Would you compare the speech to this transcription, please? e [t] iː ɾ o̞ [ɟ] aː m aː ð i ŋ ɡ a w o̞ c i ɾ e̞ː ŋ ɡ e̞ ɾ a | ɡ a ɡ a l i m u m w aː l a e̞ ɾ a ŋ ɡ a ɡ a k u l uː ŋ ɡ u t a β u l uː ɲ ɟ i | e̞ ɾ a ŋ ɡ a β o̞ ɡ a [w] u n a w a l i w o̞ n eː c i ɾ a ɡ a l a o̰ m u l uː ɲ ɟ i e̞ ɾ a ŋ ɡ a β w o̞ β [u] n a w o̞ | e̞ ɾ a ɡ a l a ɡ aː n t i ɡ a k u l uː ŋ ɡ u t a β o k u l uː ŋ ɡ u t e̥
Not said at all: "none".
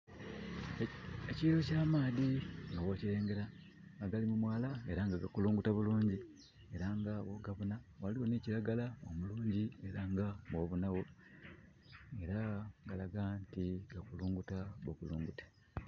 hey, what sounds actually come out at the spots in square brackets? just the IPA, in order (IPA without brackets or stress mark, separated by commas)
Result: c, c, β, u